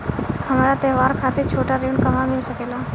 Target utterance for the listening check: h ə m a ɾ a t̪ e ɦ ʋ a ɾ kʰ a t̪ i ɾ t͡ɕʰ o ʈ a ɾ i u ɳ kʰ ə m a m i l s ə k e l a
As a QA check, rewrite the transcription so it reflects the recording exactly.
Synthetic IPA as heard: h ə m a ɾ a t̪ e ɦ ʋ a ɾ kʰ a t̪ i ɾ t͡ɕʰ o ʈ a ɾ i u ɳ k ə m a m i l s ə k e l a